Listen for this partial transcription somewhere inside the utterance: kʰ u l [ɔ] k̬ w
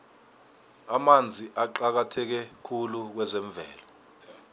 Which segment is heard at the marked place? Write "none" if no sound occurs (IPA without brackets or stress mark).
u